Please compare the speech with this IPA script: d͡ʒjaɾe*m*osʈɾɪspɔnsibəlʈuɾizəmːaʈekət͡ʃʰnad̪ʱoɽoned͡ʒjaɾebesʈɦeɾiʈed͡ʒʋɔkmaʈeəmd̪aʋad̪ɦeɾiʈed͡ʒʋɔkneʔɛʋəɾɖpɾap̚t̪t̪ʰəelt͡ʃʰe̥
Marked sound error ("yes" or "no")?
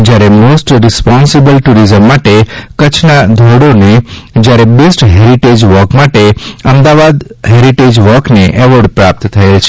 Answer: no